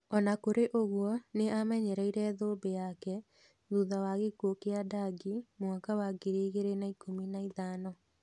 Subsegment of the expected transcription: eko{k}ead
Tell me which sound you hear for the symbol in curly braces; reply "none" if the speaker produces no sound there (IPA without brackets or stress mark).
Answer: k